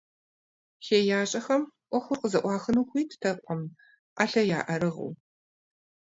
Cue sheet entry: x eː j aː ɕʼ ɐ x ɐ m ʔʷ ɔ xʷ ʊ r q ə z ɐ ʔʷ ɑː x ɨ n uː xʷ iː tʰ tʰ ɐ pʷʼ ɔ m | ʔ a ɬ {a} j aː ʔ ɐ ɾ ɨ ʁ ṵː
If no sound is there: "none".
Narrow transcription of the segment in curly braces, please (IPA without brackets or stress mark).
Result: ɐ